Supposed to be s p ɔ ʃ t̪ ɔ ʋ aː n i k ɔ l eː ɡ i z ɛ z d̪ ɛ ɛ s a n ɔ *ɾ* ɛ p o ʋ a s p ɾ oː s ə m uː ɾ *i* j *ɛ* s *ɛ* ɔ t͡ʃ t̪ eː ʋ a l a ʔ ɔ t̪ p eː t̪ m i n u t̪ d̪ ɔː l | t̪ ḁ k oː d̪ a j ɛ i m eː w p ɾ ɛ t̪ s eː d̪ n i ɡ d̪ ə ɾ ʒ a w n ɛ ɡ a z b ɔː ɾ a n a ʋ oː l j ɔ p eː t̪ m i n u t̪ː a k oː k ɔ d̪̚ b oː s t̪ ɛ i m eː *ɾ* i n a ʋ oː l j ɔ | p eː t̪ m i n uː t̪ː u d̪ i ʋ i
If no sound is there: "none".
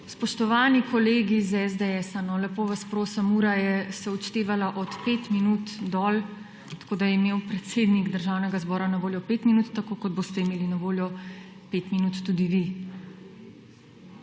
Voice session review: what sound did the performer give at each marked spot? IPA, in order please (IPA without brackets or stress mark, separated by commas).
l, a, ɛ, ɛ, l